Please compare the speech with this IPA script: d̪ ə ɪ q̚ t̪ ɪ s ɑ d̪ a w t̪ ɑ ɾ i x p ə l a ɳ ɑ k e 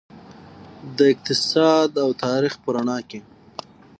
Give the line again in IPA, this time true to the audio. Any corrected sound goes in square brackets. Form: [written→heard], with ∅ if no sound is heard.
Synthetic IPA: d̪ ə ɪ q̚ t̪ ɪ s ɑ d̪ a w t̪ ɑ ɾ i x p ə [l→ɾ] a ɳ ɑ k e